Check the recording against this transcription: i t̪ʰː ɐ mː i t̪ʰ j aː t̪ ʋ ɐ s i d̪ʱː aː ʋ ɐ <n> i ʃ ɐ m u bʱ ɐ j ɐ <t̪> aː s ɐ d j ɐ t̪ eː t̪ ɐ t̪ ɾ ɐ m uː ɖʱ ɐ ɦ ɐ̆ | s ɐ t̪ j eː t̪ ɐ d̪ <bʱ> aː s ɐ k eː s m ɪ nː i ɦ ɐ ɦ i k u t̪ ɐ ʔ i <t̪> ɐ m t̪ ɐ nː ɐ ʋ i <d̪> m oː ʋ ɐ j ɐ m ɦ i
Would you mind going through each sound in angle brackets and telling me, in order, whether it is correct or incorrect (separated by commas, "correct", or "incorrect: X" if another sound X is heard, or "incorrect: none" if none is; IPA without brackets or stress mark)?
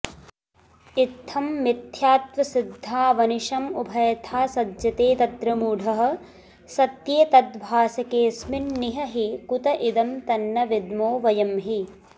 correct, incorrect: t̪ʰ, correct, incorrect: d̪, correct